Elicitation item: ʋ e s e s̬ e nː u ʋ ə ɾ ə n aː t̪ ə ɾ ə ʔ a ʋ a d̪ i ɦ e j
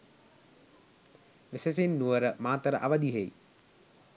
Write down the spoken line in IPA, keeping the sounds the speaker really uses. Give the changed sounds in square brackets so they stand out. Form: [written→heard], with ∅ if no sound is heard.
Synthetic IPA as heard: ʋ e s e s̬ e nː u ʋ ə ɾ ə [n→m] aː t̪ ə ɾ ə ʔ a ʋ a d̪ i ɦ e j